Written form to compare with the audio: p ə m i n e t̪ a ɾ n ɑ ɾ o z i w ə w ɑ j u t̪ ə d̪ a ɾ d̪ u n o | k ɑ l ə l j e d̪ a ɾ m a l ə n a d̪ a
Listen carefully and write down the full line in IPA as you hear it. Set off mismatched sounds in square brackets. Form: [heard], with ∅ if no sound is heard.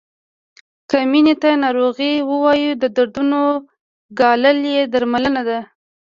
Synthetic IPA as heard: [k] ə m i n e t̪ a [∅] n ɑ ɾ o [ɣ] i w ə w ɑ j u [d̪] ə d̪ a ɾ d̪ u n o | [ɡ] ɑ l ə l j e d̪ a ɾ m a l ə n a d̪ a